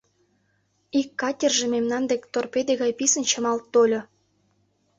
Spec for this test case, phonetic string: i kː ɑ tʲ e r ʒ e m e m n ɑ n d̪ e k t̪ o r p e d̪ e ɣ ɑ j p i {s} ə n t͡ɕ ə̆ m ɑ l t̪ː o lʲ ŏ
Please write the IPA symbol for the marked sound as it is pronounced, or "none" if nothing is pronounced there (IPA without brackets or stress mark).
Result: s